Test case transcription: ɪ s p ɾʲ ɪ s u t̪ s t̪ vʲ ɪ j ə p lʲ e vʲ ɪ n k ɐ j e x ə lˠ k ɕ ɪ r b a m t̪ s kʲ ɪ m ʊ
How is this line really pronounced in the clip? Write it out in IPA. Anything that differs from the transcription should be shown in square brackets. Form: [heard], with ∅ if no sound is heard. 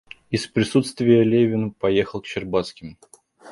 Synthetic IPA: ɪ s p ɾʲ ɪ s u t̪ s t̪ vʲ ɪ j ə [∅] lʲ e vʲ ɪ n [p] ɐ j e x ə lˠ k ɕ ɪ r b a [∅] t̪ s kʲ ɪ m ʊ